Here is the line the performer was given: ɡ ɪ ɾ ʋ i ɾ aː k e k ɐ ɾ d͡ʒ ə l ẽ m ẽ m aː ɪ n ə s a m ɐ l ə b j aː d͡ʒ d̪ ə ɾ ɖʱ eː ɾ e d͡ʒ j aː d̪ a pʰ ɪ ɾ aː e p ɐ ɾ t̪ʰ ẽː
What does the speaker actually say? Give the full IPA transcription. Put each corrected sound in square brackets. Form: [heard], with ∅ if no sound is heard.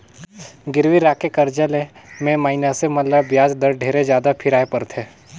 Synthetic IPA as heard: ɡ ɪ ɾ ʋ i ɾ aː k e k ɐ ɾ d͡ʒ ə l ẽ m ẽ m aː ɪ n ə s [e] m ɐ l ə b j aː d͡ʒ d̪ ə ɾ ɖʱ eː ɾ e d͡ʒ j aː d̪ a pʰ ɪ ɾ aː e p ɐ ɾ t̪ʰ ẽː